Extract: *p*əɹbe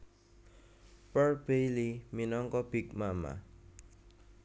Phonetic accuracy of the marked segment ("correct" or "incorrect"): correct